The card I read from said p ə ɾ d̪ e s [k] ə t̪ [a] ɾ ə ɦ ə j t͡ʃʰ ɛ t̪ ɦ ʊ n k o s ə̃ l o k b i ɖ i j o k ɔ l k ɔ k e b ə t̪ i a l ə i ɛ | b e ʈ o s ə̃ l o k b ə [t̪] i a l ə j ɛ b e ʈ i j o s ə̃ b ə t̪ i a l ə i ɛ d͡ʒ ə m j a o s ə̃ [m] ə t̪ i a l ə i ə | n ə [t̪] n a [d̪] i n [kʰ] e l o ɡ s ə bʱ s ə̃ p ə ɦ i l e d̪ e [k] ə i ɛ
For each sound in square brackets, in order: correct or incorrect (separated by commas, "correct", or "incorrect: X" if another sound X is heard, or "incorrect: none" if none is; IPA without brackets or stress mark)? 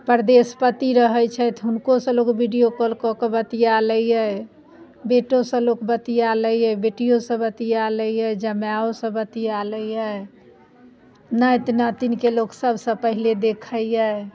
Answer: incorrect: p, incorrect: i, correct, incorrect: b, correct, incorrect: t̪, incorrect: k, incorrect: kʰ